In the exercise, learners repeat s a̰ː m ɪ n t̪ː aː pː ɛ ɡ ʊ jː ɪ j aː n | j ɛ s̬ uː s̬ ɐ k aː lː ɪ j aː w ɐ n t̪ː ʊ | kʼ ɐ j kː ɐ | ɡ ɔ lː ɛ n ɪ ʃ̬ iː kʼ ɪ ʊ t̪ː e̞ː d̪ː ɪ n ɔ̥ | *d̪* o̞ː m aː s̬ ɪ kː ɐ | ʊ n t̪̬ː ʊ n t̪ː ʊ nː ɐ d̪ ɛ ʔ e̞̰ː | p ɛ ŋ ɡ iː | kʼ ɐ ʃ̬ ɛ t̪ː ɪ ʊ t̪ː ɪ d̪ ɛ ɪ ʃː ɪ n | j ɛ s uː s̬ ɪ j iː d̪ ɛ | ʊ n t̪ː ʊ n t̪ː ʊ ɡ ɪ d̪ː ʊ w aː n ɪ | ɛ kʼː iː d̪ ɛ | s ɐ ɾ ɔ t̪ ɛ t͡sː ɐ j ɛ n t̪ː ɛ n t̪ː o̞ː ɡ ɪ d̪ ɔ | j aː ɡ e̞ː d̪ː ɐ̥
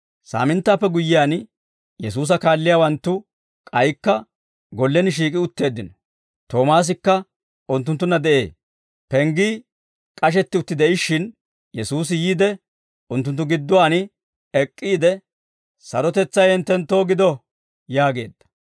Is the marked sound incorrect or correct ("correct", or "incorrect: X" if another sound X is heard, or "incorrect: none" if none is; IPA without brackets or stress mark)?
incorrect: t̪